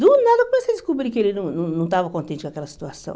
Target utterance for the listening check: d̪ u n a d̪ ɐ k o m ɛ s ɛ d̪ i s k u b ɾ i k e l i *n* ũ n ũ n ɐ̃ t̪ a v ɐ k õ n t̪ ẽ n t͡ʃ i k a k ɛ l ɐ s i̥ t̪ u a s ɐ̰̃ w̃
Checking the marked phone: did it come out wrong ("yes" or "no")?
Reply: no